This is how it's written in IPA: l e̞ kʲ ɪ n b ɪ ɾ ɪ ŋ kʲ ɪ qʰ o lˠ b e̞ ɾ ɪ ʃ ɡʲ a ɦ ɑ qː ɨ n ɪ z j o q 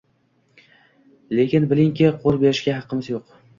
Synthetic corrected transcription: l e̞ kʲ ɪ n b ɪ l ɪ ŋ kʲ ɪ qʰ o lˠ b e̞ ɾ ɪ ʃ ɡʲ a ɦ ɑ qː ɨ m ɪ z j o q